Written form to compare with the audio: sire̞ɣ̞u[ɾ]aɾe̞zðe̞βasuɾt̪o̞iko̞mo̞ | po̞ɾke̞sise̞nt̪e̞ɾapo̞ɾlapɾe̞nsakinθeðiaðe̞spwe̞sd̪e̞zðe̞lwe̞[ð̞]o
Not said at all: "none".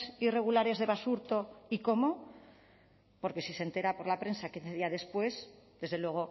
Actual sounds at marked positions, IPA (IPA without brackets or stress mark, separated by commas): l, ɣ̞